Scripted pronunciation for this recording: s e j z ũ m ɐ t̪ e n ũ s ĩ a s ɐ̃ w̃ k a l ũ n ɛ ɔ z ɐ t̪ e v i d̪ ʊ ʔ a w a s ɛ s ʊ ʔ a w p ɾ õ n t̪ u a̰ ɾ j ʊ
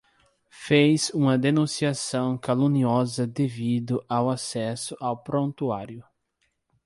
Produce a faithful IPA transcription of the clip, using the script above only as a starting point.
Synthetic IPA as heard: f e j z ũ m ɐ d̪ e n ũ s i a s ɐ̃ w̃ k a l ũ n i ɔ z ɐ d̪ e v i d̪ ʊ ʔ a w a s ɛ s ʊ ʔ a w p ɾ õ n t̪ u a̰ ɾ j ʊ

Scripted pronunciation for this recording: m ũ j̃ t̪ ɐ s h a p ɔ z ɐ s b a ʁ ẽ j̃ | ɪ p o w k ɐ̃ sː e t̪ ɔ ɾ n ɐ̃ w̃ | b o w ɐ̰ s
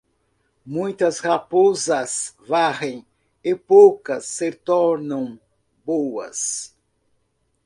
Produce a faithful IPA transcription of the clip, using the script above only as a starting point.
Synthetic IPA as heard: m ũ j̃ t̪ ɐ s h a p o z ɐ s v a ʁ ẽ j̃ | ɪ p o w k ɐ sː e t̪ ɔ ɾ n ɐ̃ w̃ | b o w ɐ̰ s

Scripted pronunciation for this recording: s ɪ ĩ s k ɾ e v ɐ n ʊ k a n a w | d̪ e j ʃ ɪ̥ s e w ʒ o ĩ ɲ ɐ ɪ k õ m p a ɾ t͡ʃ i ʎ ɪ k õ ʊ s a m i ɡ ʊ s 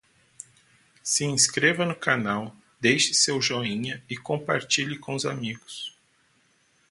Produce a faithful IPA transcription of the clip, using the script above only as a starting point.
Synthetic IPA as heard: s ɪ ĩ s k ɾ e v ɐ n ʊ k a n a w | d̪ e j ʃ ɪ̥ s e w ʒ o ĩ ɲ ɐ ɪ k õ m p a ɾ t͡ʃ i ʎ ɪ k õ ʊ z a m i ɡ ʊ s

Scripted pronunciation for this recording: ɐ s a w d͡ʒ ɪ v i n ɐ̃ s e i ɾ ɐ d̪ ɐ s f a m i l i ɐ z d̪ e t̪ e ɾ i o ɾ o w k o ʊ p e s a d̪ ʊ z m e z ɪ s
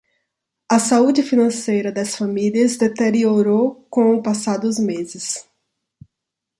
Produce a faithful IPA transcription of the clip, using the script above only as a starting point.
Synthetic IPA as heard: ɐ s a u d͡ʒ ɪ f i n ɐ̃ s e j ɾ ɐ d̪ ɐ s f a m i l i ɐ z d̪ e t̪ e ɾ i o ɾ o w k õ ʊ p a s a d̪ ʊ z m e z ɪ s

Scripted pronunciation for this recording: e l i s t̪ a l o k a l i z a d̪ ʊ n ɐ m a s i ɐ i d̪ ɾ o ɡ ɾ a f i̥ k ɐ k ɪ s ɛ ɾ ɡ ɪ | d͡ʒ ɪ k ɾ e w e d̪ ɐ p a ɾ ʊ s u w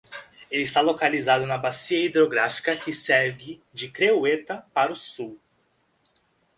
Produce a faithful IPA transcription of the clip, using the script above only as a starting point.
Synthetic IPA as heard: e l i s t̪ a l o k a l i z a d̪ ʊ n ɐ b a s i ɐ i d̪ ɾ o ɡ ɾ a f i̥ k ɐ k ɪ s ɛ ɾ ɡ ɪ | d͡ʒ ɪ k ɾ e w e t̪ ɐ p a ɾ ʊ s u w

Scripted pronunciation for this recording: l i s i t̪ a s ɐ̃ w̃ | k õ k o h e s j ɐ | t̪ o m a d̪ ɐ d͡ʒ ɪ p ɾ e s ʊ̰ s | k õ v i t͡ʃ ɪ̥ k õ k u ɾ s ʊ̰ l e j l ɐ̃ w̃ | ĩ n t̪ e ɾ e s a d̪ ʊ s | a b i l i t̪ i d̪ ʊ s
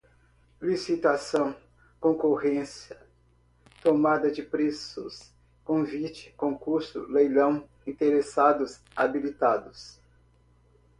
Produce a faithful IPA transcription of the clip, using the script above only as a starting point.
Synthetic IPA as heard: l i s i t̪ a s ɐ̃ w̃ | k õ k o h ẽ s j ɐ | t̪ o m a d̪ ɐ d͡ʒ ɪ p ɾ e s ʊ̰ s | k õ v i t͡ʃ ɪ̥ k õ k u ɾ s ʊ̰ l e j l ɐ̃ w̃ | ĩ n t̪ e ɾ e s a d̪ ʊ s | a b i l i t̪ a d̪ ʊ s

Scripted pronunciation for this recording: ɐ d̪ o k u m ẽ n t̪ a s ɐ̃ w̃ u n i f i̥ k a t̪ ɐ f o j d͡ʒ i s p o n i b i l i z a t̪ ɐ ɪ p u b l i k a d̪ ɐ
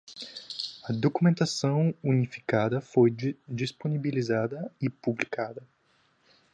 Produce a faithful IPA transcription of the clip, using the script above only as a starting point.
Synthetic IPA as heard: ɐ d̪ o k u m ẽ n t̪ a s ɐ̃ w̃ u n i f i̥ k a d̪ ɐ f o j d͡ʒ i s p o n i b i l i z a d̪ ɐ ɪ p u b l i k a d̪ ɐ

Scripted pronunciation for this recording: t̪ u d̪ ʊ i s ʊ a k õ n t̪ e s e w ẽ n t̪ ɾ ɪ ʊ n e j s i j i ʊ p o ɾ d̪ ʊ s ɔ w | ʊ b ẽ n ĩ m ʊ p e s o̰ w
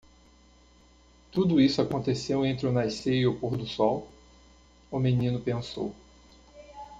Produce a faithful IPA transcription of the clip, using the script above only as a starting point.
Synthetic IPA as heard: t̪ u d̪ ʊ i s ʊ a k õ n t̪ e s e w ẽ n t̪ ɾ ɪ ʊ n a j s e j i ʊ p o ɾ d̪ ʊ s ɔ w | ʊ m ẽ n ĩ n ʊ p ẽ s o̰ w

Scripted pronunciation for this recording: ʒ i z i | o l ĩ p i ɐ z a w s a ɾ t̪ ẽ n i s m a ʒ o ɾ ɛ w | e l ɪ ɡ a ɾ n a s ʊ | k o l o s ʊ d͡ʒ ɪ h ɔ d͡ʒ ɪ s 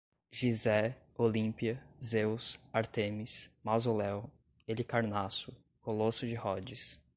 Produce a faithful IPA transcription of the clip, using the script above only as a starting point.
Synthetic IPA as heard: ʒ i z ɛ | o l ĩ p i ɐ z e w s a ɾ t̪ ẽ m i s m a z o l ɛ w | e l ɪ k a ɾ n a s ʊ | k o l o s ʊ d͡ʒ ɪ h ɔ d͡ʒ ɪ s

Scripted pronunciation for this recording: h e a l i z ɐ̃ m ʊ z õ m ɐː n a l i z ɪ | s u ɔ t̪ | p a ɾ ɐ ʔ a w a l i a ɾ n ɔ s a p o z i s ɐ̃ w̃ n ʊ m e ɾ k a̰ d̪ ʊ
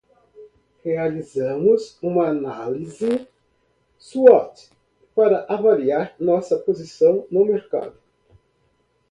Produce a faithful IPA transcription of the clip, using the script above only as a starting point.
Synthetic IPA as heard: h e a l i z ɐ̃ m ʊ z ũ m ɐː n a l i z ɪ | s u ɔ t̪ | p a ɾ ɐ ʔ a v a l i a ɾ n ɔ s ɐ p o z i s ɐ̃ w̃ n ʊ m e ɾ k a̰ d̪ ʊ

